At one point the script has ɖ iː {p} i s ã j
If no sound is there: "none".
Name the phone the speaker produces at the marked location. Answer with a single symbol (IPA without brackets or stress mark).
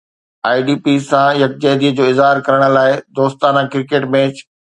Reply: p